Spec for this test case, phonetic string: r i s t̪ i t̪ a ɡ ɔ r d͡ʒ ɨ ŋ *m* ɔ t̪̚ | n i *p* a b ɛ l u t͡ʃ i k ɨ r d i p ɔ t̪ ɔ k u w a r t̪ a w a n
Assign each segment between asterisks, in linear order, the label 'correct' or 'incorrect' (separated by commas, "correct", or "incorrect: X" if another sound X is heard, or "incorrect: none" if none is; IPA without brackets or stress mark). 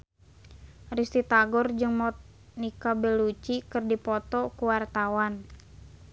correct, incorrect: k